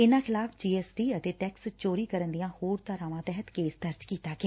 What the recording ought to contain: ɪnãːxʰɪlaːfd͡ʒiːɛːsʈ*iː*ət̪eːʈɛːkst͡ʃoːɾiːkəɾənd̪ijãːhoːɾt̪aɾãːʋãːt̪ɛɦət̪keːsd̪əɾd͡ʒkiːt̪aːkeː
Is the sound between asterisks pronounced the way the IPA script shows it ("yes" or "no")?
yes